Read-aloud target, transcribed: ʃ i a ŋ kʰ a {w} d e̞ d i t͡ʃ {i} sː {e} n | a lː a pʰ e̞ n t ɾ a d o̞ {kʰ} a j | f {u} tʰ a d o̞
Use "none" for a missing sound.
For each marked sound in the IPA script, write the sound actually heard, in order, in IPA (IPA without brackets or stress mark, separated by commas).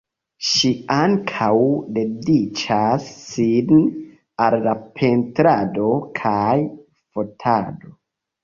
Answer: w, a, i, kʰ, o